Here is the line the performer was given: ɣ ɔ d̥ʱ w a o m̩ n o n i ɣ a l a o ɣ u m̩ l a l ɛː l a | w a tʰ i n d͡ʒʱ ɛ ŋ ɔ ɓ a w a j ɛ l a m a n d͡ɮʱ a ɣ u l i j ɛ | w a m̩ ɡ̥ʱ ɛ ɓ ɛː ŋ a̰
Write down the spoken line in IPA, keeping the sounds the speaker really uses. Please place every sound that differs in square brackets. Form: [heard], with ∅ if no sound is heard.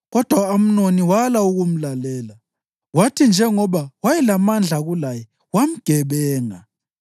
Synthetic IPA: ɣ ɔ d̥ʱ w a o m̩ n o n i [w] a l a [u] ɣ u m̩ l a l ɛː l a | w a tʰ i n d͡ʒʱ ɛ ŋ ɔ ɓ a w a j ɛ l a m a n d͡ɮʱ a ɣ u l [a] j ɛ | w a m̩ ɡ̥ʱ ɛ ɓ ɛː ŋ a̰